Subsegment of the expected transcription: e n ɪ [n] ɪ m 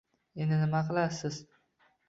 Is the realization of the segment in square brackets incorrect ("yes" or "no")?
no